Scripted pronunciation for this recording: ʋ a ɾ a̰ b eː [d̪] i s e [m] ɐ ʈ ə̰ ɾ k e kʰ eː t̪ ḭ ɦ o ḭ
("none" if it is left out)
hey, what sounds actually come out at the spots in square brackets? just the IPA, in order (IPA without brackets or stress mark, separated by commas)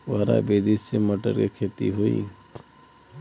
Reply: d̪, m